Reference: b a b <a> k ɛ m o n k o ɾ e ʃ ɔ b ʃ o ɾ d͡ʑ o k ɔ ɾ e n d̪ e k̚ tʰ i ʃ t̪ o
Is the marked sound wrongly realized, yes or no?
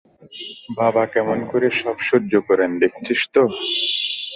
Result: no